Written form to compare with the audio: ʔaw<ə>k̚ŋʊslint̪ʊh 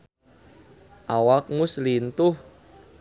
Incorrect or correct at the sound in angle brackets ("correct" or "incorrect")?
incorrect